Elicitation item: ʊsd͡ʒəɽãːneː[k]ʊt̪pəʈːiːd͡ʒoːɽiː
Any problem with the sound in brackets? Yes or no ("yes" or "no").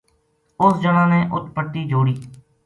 yes